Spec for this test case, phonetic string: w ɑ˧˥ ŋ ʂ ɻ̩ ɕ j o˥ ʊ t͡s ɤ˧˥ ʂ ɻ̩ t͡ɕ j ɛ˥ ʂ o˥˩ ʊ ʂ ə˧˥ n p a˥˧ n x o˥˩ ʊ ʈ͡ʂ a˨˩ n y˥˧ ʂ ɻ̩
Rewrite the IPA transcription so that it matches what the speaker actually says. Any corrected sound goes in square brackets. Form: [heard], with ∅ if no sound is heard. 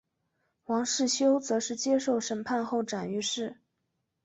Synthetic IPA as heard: w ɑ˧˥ ŋ ʂ ɻ̩ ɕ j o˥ ʊ t͡s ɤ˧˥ ʂ ɻ̩ t͡ɕ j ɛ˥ ʂ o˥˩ ʊ ʂ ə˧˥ n [pʰ] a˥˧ n x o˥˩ ʊ ʈ͡ʂ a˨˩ n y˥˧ ʂ ɻ̩